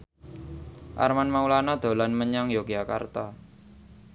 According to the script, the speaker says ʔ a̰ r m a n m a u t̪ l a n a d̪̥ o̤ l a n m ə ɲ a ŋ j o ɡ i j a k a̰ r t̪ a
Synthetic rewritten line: ʔ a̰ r m a n m a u l a n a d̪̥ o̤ l a n m ə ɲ a ŋ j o ɡ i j a k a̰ r t̪ a